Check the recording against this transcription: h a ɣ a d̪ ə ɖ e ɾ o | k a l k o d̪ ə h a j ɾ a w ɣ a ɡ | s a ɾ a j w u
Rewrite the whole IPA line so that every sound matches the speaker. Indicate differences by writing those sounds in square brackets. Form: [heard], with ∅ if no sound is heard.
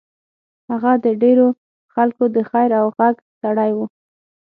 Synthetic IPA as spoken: h a ɣ a d̪ ə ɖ e ɾ o | [x] a l k o d̪ ə [x] a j ɾ a w ɣ a ɡ | s a [ɽ] a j w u

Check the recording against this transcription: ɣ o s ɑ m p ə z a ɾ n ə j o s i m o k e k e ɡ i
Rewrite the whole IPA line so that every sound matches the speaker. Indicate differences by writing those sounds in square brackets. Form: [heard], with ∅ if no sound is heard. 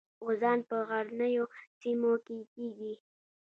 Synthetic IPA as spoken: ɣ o [z] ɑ [n] p ə [ɣ] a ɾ n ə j o s i m o k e k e ɡ i

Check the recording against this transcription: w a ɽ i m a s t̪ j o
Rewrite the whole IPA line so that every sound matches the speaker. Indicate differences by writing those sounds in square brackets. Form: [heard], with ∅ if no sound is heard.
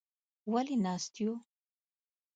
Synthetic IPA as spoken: w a [l] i [n] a s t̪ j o

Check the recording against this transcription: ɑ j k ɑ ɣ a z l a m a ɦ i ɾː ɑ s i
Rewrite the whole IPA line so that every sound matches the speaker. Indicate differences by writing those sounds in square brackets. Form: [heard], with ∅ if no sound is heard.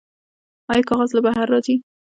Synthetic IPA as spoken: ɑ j k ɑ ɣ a z l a [b] a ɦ [a] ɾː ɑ [z] i

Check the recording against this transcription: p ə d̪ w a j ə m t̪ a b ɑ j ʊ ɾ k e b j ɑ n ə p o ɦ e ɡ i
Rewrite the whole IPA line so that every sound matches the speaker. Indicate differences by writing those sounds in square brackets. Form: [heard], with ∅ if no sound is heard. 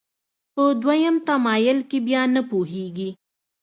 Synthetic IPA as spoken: p ə d̪ w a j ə m t̪ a [m] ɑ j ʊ [l] k e b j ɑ n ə p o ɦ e ɡ i

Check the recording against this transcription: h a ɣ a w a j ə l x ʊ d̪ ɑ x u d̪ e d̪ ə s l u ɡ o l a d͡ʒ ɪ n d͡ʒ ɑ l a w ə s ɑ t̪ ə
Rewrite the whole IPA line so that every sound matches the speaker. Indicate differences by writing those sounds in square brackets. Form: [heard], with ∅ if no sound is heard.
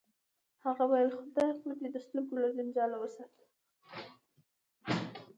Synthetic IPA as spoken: h a ɣ a w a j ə l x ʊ d̪ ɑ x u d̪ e d̪ ə s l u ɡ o l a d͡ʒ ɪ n d͡ʒ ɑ l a w ə s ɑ t̪ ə

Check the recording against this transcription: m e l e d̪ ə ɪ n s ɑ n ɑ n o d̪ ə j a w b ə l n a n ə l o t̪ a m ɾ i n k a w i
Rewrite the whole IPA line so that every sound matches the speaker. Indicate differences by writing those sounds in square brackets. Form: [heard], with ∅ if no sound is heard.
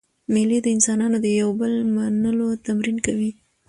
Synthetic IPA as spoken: m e l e d̪ ə ɪ n s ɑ n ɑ n o d̪ ə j a w b ə l [m] a n ə l o t̪ a m ɾ i n k a w i

